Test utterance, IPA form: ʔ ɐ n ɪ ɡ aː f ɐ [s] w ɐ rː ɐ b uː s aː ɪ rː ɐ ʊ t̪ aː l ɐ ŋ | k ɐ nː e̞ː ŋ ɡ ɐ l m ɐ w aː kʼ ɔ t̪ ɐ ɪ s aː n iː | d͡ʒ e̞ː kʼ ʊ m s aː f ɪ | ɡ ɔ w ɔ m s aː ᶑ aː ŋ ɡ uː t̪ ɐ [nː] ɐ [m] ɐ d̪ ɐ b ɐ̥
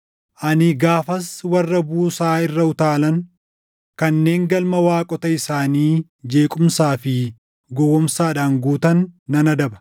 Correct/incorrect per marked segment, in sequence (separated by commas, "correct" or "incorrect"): correct, correct, incorrect